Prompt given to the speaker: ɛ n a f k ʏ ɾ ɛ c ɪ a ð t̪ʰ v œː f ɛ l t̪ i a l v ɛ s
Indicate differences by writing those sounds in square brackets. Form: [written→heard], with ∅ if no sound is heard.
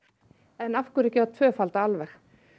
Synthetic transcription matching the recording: ɛ n a f k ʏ ɾ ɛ c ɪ a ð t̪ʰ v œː f [ɛ→a] l t̪ [i→a] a l v ɛ [s→x]